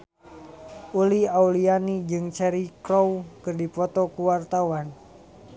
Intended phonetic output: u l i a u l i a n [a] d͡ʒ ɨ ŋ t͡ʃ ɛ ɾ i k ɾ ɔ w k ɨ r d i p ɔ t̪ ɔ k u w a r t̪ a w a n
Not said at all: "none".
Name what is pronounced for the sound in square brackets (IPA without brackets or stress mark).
i